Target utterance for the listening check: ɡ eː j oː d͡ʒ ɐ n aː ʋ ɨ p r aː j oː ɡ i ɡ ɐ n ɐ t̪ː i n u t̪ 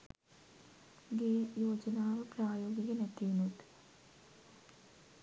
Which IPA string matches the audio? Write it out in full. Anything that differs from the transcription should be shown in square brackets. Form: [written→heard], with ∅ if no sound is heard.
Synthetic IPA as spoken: ɡ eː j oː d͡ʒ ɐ n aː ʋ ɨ p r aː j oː ɡ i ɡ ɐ n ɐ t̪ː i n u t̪

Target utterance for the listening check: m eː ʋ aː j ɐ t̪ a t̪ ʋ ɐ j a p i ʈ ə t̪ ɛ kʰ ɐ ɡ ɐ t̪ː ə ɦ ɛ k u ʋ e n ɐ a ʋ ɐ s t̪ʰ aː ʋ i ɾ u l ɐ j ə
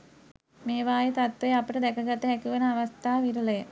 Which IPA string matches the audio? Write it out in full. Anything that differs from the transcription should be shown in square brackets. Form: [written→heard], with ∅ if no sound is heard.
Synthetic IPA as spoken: m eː ʋ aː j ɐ t̪ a t̪ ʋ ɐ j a p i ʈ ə [t̪→d̪] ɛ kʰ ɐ ɡ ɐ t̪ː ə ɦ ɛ k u ʋ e n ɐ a ʋ ɐ s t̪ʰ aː ʋ i ɾ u l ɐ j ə

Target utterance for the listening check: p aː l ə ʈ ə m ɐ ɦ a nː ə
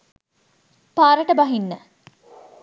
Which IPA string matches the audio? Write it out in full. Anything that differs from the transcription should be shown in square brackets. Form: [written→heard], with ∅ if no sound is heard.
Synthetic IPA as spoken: p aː [l→ɾ] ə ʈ ə [m→b] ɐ ɦ [a→i] nː ə

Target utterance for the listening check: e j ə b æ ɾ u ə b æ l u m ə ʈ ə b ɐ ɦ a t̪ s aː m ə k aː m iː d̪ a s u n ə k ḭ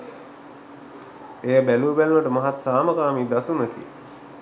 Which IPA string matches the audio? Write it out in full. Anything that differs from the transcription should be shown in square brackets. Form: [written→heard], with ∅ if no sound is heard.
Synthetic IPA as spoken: e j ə b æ [ɾ→l] u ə b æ l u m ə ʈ ə [b→m] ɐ ɦ a t̪ s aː m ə k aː m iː d̪ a s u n ə k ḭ

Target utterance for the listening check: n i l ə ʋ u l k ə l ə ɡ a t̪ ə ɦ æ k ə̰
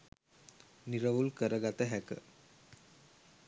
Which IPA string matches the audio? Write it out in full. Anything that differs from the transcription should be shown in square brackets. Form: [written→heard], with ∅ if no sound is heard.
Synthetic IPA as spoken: n i [l→ɾ] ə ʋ u l k ə [l→ɾ] ə ɡ a t̪ ə ɦ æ k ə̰

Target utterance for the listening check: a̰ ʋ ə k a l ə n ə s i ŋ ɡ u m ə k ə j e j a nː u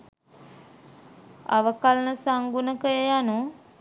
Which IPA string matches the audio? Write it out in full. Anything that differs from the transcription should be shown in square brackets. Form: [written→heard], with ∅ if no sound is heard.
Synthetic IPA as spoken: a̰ ʋ ə k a l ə n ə s [i→a] ŋ ɡ u [m→n] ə k ə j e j a [nː→n] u

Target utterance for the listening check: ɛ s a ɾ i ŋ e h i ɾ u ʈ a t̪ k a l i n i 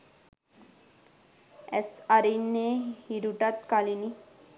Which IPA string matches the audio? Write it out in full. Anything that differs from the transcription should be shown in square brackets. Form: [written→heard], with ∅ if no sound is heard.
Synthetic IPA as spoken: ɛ s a ɾ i [ŋ→n] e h i ɾ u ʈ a t̪ k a l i n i

